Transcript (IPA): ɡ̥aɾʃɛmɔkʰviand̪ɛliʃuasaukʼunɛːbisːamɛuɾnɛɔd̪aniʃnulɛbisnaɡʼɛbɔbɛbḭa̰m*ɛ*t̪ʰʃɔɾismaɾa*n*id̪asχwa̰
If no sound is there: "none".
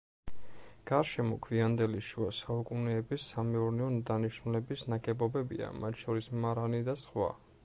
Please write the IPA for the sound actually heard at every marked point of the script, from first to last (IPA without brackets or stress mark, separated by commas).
a, n